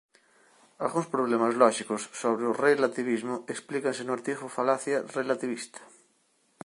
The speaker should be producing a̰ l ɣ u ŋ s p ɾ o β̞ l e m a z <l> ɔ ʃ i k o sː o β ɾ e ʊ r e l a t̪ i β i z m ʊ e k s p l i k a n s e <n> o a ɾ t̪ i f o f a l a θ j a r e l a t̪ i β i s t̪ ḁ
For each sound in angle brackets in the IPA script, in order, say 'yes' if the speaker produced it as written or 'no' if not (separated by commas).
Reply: yes, yes